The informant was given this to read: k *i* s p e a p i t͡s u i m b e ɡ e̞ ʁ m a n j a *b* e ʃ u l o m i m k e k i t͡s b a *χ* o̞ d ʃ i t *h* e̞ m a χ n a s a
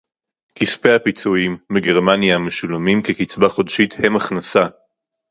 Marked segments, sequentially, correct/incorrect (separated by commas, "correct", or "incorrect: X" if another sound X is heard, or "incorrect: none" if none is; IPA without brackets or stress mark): correct, incorrect: m, correct, correct